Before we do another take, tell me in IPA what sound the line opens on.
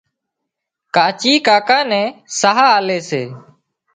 k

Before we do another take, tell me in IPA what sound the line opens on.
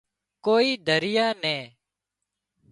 k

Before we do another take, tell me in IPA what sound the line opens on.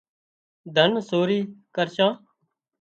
d̪ʱ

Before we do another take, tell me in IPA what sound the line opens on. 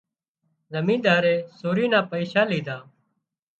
z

